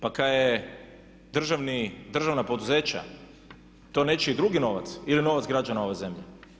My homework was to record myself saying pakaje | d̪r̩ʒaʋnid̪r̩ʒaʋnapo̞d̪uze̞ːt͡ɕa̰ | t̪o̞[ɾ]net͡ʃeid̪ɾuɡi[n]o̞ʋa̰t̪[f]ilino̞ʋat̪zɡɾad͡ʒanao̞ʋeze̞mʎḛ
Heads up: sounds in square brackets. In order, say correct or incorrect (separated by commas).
incorrect, correct, incorrect